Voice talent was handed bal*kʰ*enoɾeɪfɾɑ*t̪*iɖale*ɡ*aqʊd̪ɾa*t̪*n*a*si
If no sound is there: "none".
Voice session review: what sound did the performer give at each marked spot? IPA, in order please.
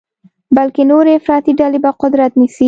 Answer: k, t̪, b, t̪, i

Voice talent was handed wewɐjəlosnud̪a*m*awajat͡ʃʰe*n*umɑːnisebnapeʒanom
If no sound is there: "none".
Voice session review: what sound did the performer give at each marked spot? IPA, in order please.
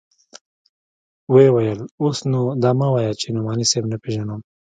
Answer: m, n

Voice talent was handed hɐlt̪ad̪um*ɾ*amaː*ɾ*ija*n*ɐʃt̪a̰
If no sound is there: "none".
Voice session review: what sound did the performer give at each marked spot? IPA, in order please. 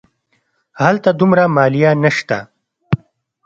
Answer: ɾ, l, n

